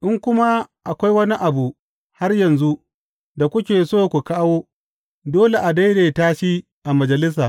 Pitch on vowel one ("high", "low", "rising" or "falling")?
high